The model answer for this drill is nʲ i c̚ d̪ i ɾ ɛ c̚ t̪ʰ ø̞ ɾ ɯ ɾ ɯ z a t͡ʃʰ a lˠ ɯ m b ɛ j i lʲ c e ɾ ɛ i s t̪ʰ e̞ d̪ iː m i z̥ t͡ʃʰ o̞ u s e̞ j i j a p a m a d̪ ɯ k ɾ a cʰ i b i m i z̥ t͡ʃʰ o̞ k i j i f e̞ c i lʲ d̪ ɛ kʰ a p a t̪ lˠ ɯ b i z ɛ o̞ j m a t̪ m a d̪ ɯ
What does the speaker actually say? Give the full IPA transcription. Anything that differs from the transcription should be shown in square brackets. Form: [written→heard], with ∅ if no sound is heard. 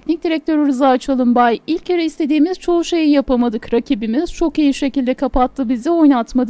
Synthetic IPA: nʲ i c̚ d̪ i ɾ ɛ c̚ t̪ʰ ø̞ ɾ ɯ ɾ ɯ z a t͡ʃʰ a lˠ ɯ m b [ɛ→a] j i lʲ c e ɾ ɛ i s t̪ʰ e̞ d̪ iː m i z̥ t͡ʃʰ o̞ u [s→ʃ] e̞ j i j a p a m a d̪ ɯ k ɾ a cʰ i b i m i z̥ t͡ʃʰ o̞ k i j i [f→ʃ] e̞ c i lʲ d̪ ɛ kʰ a p a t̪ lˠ ɯ b i z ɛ o̞ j [m→n] a t̪ m a d̪ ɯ